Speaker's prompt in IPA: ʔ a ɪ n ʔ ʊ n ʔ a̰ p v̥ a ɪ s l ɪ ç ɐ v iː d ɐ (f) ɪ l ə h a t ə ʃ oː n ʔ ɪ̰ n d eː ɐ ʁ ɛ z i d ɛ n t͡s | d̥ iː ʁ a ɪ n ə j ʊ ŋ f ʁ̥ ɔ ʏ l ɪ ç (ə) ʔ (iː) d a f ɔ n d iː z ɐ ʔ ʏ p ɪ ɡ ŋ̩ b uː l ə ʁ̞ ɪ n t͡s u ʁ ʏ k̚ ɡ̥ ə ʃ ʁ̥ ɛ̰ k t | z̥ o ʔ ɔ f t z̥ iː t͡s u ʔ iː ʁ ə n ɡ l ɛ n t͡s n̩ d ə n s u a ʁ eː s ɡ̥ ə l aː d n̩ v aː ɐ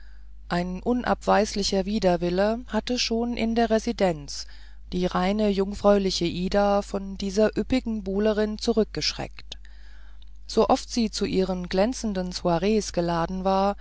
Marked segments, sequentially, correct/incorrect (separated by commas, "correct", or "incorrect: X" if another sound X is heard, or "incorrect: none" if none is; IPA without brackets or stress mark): incorrect: v, correct, correct